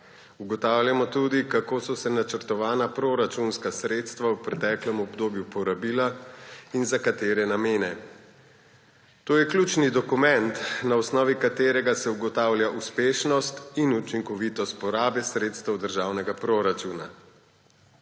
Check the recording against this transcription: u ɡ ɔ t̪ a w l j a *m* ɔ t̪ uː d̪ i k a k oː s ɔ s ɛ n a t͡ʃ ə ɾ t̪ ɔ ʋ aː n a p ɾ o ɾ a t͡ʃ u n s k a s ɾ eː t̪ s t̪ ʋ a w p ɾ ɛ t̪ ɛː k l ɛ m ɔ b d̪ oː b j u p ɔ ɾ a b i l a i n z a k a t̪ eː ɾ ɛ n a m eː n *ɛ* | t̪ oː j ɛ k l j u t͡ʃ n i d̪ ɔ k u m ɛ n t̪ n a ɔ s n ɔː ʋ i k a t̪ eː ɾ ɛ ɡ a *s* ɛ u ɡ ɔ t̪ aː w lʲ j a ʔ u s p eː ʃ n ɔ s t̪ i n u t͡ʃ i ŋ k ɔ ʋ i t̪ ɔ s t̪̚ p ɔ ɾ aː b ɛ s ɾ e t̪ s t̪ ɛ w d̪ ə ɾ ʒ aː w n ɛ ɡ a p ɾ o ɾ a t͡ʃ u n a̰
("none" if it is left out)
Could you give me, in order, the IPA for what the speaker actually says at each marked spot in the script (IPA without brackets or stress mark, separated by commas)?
m, ɛ, s